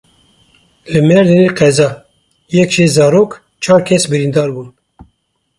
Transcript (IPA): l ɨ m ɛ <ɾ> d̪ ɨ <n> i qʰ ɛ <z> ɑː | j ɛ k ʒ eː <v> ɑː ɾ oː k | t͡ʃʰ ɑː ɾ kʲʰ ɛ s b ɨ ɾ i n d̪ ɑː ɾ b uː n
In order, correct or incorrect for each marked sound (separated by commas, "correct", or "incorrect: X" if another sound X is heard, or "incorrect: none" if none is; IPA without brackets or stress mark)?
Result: correct, correct, correct, incorrect: z